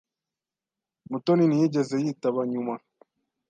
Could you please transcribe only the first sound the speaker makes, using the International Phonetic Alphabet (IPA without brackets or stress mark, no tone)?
m